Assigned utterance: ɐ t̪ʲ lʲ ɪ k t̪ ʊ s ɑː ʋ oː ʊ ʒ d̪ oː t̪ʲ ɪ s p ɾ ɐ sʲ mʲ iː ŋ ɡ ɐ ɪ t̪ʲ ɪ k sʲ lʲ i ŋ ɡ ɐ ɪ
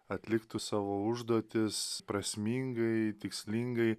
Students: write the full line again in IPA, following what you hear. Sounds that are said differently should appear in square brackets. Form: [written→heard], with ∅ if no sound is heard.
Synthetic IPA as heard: ɐ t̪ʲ lʲ ɪ k t̪ ʊ s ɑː ʋ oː ʊ ʒ d̪ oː t̪ʲ ɪ s p ɾ ɐ sʲ mʲ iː ŋ ɡ ɐ ɪ t̪ʲ ɪ k sʲ lʲ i ŋ ɡ ɐ ɪ